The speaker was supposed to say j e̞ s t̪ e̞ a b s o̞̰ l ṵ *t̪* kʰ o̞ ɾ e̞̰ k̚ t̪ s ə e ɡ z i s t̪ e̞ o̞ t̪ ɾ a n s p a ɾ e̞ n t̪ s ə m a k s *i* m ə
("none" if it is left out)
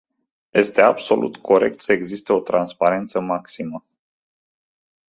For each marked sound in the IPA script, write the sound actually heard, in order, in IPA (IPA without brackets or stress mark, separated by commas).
t̪, i